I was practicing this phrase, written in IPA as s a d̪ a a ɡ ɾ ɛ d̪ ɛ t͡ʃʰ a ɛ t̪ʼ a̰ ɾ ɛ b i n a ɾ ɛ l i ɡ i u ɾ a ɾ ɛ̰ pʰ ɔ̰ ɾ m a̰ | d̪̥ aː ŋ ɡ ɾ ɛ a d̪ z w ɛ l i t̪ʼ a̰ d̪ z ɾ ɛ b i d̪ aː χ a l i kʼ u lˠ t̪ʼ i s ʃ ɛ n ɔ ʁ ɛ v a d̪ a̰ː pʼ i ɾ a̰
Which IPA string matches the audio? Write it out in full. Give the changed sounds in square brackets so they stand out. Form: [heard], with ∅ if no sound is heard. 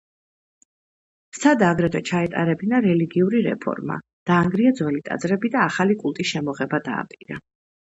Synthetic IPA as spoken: s a d̪ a a ɡ ɾ ɛ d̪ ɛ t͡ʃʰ a ɛ t̪ʼ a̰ ɾ ɛ b i n a ɾ ɛ l i ɡ i u ɾ [i] ɾ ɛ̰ pʰ ɔ̰ ɾ m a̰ | d̪̥ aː ŋ ɡ ɾ [i] a d̪ z w ɛ l i t̪ʼ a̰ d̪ z ɾ ɛ b i d̪ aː χ a l i kʼ u lˠ t̪ʼ i s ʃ ɛ [m] ɔ ʁ ɛ [b] a d̪ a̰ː pʼ i ɾ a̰